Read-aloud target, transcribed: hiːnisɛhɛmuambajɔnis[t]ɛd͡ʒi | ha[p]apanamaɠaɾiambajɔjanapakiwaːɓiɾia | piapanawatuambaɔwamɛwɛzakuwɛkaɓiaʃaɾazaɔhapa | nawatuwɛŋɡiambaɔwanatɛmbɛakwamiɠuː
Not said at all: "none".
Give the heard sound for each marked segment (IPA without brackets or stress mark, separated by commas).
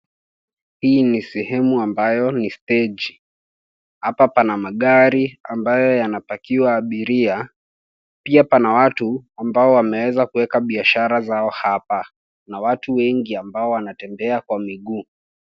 t, p